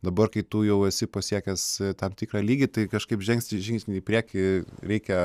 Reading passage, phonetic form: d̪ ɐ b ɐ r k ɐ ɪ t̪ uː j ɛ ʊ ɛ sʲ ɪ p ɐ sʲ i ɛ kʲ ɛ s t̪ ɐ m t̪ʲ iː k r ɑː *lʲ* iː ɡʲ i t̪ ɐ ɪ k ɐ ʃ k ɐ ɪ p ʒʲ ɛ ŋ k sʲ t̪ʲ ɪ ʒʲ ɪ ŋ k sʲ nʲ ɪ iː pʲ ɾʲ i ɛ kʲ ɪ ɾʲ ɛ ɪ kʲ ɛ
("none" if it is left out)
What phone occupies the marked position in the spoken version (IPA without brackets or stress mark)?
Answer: lʲ